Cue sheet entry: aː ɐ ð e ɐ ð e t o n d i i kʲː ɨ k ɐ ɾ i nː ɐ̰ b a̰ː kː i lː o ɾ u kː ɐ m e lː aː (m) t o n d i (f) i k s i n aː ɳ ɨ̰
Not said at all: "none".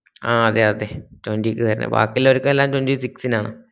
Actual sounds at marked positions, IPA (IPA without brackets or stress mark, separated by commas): m, s